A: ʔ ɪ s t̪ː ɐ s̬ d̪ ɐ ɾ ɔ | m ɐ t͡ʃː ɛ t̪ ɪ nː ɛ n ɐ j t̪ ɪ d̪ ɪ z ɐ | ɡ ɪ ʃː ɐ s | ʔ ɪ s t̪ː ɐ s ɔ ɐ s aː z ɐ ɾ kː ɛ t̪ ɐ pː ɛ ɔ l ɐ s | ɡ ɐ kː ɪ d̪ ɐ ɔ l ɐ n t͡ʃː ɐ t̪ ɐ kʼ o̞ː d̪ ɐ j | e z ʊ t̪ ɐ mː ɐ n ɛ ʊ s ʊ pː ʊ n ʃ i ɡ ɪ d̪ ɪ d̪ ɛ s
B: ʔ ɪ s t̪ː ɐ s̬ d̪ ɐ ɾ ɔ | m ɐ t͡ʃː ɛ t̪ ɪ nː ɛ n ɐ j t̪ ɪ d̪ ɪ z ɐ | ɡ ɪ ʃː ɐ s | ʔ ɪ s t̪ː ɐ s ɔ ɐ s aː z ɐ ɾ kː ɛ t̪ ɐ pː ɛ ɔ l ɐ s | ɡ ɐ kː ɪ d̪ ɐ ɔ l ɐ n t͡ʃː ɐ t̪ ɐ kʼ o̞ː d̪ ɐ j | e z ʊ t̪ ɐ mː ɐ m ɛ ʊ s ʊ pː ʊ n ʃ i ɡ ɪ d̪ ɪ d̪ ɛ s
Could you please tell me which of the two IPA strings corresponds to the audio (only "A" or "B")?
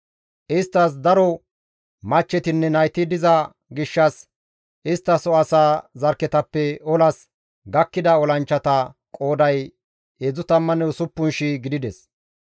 A